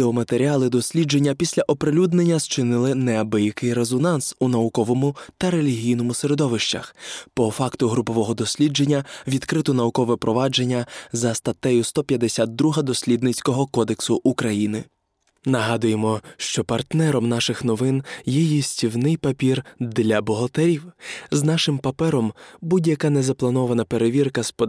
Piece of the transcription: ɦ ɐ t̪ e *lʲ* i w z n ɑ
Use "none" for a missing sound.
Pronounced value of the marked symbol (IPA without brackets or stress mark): ɾʲ